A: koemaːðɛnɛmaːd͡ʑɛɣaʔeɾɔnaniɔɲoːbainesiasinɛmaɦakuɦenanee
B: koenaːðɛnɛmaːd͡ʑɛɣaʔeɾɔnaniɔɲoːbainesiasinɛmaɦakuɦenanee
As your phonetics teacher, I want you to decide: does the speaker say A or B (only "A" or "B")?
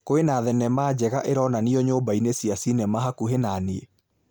B